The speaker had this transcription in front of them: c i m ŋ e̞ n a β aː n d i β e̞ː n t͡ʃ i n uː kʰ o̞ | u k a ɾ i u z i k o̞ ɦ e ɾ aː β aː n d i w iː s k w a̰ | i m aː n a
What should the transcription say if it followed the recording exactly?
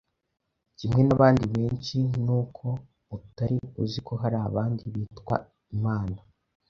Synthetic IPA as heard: c i m ŋ e̞ n a β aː n d i β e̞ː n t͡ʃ i n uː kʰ o̞ | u t a ɾ i u z i k o̞ ɦ a ɾ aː β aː n d i β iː t k w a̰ | i m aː n a

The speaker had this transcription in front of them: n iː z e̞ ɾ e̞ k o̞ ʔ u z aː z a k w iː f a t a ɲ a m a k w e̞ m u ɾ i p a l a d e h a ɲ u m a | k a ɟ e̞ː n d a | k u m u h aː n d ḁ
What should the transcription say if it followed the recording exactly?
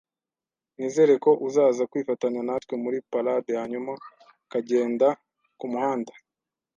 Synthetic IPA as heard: n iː z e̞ ɾ e̞ k o̞ ʔ u z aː z a k w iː f a t a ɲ a n a t w e̞ m u ɾ i p a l a d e h a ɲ u m a | k a ɟ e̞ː n d a | k u m u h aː n d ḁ

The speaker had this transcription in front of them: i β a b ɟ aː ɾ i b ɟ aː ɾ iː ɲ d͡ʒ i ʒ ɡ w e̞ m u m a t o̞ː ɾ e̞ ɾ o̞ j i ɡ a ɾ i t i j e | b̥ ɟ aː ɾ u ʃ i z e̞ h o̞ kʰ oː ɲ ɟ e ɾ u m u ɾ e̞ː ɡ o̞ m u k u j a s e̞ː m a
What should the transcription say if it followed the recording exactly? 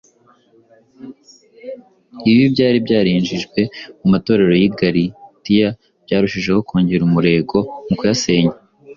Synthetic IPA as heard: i β i b ɟ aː ɾ i b ɟ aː ɾ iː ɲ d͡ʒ i ʒ ɡ w e̞ m u m a t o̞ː ɾ e̞ ɾ o̞ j i ɡ a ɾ i t i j a | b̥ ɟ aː ɾ u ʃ i ʒ e̞ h o̞ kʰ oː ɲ ɟ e ɾ u m u ɾ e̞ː ɡ o̞ m u k u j a s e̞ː ɲ a

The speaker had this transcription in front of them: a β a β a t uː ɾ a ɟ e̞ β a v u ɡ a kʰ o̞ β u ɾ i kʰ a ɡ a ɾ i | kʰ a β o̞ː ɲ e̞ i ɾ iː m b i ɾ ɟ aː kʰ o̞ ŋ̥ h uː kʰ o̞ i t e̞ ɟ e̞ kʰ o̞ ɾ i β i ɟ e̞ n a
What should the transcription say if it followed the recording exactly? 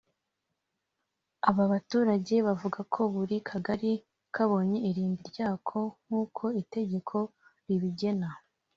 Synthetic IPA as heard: a β a β a t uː ɾ a ɟ e̞ β a v u ɡ a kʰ o̞ β u ɾ i kʰ a ɡ a ɾ i | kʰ a β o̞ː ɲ e̞ i ɾ iː m b i ɾ ɟ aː kʰ o̞ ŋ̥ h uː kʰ o̞ i t e̞ ɟ e̞ kʰ o̞ ɾ i β i ɟ e̞ n a

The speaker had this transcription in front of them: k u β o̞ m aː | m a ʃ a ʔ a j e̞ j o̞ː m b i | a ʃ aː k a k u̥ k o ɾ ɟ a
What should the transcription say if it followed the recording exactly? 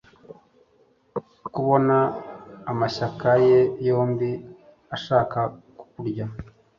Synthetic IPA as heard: k u β o̞ n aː | m a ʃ a k a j e̞ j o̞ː m b i | a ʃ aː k a k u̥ k u ɾ ɟ a

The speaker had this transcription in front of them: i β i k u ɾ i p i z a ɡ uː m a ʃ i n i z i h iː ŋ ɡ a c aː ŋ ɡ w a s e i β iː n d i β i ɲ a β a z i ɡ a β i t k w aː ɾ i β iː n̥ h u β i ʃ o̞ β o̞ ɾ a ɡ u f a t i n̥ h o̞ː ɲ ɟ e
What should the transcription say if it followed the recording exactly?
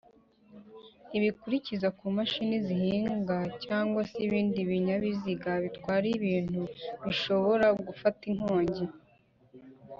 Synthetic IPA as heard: i β i k u ɾ i c i z a k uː m a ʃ i n i z i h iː ŋ ɡ a c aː ŋ ɡ w a s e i β iː n d i β i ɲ a β i z i ɡ a β i t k w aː ɾ i β iː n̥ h u β i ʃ o̞ β o̞ ɾ a ɡ u f a t i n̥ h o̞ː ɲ ɟ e

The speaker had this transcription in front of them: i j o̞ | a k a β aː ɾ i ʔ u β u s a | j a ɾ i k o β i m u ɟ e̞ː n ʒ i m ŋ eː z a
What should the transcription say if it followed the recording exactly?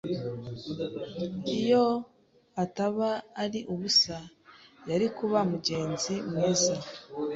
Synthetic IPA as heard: i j o̞ | a t a β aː ɾ i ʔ u β u s a | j a ɾ i k u β a m u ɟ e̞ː n z i m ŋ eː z a

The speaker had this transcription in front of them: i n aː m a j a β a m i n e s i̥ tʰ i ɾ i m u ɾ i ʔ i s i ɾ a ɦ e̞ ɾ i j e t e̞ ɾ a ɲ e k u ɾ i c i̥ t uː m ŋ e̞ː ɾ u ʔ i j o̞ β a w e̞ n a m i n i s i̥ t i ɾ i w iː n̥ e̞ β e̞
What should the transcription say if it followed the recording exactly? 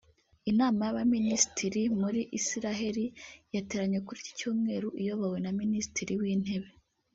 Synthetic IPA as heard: i n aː m a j a β a m i n i s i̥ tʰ i ɾ i m u ɾ i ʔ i s i ɾ a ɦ e̞ ɾ i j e t e̞ ɾ a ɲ e k u ɾ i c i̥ c uː m ŋ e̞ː ɾ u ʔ i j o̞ β a w e̞ n a m i n i s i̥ t i ɾ i w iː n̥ e̞ β e̞

